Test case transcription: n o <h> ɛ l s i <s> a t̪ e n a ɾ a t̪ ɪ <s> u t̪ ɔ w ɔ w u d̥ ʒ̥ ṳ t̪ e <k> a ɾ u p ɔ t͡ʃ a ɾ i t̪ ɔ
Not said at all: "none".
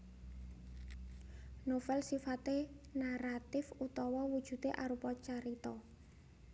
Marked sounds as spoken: f, f, f, ʔ

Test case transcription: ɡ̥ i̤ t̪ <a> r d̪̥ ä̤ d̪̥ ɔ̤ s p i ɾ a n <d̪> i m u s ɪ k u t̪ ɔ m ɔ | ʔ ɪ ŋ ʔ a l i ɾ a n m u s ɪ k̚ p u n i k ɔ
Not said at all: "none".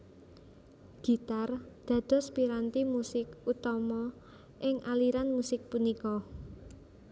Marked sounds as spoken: a, t̪

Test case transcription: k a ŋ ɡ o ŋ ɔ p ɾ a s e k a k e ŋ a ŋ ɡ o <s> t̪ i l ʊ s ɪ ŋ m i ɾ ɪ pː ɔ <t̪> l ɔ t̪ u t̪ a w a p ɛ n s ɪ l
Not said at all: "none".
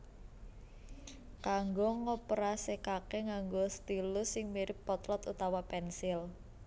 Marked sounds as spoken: s, t̪

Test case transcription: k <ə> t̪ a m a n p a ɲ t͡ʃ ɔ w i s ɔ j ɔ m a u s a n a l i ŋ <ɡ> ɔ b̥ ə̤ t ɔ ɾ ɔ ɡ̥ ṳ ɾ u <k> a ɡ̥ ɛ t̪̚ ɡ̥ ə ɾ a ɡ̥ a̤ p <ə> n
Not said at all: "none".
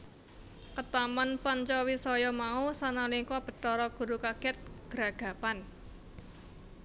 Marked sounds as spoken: ə, k, k, a

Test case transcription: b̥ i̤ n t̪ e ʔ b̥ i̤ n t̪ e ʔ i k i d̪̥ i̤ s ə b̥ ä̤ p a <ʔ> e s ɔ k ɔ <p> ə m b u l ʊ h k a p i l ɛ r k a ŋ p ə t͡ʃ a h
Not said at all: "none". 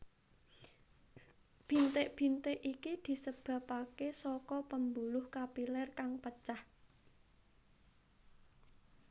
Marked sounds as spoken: k, p

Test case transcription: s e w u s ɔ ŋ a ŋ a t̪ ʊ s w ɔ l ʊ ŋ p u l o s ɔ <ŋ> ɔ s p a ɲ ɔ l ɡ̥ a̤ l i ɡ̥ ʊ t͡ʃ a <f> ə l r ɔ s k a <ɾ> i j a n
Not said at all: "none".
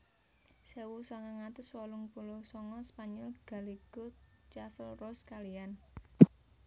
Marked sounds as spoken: ŋ, f, l

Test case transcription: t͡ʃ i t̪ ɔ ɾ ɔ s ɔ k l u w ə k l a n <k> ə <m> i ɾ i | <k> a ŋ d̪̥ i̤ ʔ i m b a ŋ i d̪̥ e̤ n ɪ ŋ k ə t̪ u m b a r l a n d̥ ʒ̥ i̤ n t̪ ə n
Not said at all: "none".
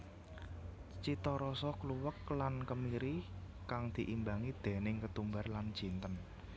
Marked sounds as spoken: k, m, k

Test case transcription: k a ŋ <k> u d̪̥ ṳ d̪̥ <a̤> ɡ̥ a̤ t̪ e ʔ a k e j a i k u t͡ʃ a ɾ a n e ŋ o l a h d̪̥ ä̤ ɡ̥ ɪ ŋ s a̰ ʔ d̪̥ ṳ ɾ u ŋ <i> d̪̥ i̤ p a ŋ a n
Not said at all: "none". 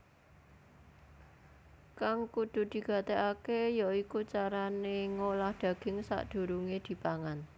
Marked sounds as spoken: k, i̤, e

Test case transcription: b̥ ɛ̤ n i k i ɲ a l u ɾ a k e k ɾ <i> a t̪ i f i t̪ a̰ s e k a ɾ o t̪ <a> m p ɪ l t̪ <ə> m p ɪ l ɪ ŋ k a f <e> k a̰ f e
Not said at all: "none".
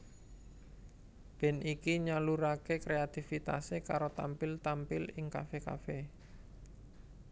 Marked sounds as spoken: e, a, a, e

